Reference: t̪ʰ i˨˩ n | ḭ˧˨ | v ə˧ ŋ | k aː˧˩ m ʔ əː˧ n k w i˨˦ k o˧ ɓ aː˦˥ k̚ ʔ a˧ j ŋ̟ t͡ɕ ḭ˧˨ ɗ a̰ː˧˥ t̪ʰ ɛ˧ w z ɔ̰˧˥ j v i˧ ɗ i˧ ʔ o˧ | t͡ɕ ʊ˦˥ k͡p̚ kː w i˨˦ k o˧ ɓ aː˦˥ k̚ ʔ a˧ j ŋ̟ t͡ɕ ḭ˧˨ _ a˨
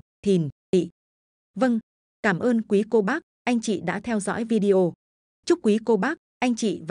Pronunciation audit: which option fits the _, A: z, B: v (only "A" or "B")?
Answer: B